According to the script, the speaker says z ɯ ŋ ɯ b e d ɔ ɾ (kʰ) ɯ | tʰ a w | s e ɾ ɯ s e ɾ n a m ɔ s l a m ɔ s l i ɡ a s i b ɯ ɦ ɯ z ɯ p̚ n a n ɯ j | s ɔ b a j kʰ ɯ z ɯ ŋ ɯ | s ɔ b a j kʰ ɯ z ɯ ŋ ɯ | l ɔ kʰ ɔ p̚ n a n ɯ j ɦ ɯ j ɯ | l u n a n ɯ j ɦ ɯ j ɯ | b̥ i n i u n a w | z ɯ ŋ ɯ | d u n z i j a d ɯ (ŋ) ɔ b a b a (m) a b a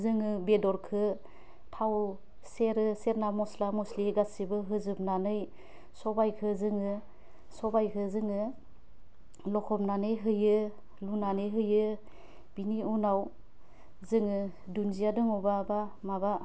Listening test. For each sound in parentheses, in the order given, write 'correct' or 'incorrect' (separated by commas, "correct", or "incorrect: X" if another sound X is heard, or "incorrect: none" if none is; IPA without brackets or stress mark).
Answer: correct, correct, correct